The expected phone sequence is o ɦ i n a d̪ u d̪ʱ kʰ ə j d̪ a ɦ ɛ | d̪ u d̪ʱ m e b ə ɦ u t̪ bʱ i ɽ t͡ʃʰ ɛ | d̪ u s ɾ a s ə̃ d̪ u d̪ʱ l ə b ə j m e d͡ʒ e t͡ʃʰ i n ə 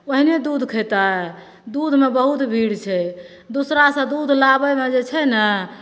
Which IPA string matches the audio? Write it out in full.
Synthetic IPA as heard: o ɦ i n e d̪ u d̪ʱ kʰ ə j t̪ a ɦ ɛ | d̪ u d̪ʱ m e b ə ɦ u t̪ bʱ i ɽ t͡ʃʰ ɛ | d̪ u s ɾ a s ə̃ d̪ u d̪ʱ l a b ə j m e d͡ʒ e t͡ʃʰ ɛ n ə